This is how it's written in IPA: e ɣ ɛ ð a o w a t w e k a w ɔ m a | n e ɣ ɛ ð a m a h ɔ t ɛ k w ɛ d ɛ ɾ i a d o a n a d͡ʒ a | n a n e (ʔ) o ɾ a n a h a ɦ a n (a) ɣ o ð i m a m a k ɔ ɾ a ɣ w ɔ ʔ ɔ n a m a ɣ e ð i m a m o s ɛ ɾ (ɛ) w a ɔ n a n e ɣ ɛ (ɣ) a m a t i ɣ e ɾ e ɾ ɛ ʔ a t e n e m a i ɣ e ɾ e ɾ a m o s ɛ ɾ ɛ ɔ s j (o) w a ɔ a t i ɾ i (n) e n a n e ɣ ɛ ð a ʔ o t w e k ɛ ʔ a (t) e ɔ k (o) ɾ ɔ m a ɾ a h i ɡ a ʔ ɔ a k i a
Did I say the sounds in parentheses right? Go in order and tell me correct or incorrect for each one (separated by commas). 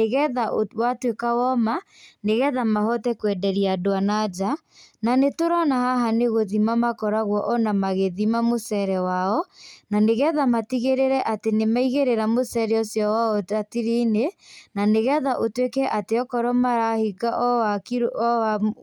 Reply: incorrect, incorrect, correct, incorrect, incorrect, correct, correct, incorrect